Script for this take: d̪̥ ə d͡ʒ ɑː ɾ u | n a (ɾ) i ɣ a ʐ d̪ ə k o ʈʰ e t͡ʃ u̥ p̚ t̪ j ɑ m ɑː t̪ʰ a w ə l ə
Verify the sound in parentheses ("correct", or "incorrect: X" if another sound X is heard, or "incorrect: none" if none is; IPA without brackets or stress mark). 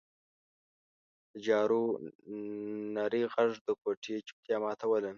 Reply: correct